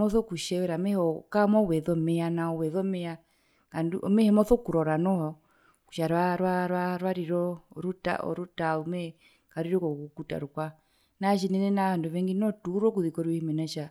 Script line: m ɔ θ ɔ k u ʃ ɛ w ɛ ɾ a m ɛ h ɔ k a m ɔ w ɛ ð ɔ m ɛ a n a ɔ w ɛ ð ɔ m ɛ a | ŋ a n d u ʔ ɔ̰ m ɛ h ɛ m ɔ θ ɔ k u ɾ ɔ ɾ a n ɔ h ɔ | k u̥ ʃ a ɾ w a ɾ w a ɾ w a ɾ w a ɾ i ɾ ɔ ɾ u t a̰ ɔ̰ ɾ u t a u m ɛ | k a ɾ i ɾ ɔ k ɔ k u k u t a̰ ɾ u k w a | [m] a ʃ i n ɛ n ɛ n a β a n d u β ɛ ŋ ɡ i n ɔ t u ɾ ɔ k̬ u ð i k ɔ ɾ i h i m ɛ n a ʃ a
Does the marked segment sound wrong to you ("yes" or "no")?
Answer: yes